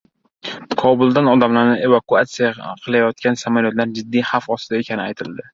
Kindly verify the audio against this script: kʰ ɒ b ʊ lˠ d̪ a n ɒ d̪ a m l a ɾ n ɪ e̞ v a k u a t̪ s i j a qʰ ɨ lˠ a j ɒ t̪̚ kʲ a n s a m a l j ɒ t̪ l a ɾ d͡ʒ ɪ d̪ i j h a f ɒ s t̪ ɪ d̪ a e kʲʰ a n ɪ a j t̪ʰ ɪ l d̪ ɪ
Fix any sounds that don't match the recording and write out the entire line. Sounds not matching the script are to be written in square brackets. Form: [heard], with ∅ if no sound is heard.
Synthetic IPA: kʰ ɒ b ʊ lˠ d̪ a n ɒ d̪ a m l a ɾ n ɪ e̞ v a k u a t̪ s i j a qʰ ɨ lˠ a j ɒ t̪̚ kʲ a n s a m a l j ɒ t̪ l a ɾ d͡ʒ ɪ [d̪ː] i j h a f ɒ s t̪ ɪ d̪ a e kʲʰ a n ɪ a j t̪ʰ ɪ l d̪ ɪ